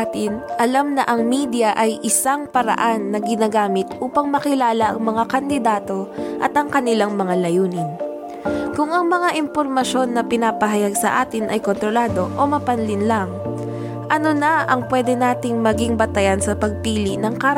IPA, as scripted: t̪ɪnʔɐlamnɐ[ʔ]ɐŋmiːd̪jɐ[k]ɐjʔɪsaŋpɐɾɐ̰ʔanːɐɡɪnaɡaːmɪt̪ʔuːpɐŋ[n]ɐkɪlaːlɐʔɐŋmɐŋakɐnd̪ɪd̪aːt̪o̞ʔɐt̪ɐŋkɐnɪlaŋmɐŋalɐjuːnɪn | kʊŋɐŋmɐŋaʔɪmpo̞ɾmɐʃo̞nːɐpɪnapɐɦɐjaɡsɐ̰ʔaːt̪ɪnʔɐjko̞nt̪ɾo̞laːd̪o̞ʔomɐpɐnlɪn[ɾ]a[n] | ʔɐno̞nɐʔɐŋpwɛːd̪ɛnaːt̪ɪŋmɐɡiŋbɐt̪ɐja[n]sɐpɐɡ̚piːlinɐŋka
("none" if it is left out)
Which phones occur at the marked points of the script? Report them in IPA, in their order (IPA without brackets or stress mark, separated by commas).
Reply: ʔ, ʔ, m, l, ŋ, n